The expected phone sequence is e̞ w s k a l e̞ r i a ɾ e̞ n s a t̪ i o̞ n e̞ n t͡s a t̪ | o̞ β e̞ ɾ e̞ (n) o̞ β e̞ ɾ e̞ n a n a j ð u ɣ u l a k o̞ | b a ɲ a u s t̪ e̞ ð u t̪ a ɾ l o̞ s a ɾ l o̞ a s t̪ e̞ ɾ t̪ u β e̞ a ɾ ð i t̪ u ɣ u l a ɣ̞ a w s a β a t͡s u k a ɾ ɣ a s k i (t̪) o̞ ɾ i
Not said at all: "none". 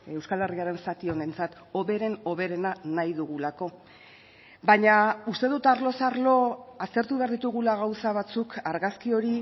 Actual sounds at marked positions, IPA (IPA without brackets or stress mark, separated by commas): n, none